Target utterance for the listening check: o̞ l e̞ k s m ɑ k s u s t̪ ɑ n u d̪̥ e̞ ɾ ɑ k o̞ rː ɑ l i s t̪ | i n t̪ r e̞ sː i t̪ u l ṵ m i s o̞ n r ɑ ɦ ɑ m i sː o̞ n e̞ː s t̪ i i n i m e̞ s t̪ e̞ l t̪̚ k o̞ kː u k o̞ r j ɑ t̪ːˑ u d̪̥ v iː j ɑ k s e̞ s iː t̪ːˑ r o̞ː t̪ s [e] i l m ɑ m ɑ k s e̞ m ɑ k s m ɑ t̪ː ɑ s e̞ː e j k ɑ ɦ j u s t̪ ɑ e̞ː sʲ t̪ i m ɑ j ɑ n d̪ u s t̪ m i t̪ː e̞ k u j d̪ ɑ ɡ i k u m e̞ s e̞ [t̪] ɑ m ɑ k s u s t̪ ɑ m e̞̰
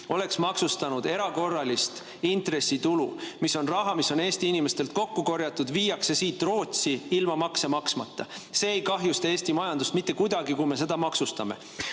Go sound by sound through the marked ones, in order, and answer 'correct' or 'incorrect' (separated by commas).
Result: incorrect, incorrect